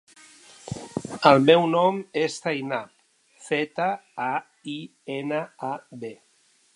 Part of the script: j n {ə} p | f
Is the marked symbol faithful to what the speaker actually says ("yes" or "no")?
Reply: no